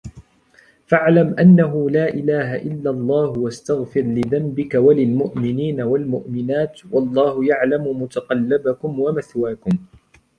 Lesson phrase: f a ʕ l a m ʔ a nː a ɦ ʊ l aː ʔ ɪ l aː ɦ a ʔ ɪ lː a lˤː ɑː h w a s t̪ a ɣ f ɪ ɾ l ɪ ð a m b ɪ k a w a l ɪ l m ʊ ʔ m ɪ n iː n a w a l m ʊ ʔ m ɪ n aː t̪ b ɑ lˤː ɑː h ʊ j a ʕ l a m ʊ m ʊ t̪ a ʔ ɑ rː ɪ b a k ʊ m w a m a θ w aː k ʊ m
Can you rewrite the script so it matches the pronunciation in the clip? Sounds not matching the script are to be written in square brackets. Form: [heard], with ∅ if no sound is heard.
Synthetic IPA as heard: f a ʕ l a m ʔ a nː a ɦ ʊ l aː ʔ ɪ l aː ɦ a ʔ ɪ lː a lˤː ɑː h w a s t̪ a ɣ f ɪ ɾ l ɪ ð a m b ɪ k a w a l ɪ l m ʊ ʔ m ɪ n iː n a w a l m ʊ ʔ m ɪ n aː t̪ [w] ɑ lˤː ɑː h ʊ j a ʕ l a m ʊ m ʊ t̪ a [q] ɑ [lː] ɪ b a k ʊ m w a m a θ w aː k ʊ m